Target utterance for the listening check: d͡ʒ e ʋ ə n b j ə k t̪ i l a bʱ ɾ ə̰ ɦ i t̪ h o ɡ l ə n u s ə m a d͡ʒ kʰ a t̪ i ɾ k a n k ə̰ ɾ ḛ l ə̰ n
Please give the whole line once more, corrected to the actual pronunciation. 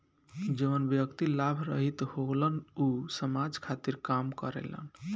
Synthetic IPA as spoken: d͡ʒ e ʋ ə n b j ə k t̪ i l a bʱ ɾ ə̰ ɦ i t̪ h o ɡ l ə n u s ə m a d͡ʒ kʰ a t̪ i ɾ k a m k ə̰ ɾ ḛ l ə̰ n